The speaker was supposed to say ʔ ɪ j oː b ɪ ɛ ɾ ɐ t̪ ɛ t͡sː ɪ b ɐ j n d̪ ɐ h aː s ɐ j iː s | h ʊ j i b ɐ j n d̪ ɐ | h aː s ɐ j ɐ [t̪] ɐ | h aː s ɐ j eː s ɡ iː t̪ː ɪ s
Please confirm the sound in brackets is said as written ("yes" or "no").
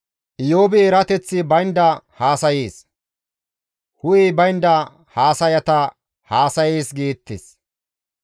yes